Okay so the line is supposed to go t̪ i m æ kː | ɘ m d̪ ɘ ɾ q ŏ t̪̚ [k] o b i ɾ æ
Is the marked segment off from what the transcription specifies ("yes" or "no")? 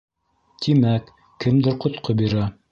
yes